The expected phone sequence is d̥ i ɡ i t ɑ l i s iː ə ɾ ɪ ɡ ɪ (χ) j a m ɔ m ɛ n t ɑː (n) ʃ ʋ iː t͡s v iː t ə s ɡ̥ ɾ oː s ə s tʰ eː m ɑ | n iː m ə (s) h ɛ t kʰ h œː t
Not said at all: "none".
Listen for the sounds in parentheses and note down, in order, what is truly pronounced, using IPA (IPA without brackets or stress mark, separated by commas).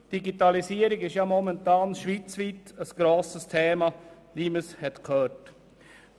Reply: ʃ, n, s